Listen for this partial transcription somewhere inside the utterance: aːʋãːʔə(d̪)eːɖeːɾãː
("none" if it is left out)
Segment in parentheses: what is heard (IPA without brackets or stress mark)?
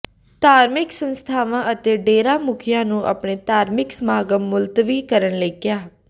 t̪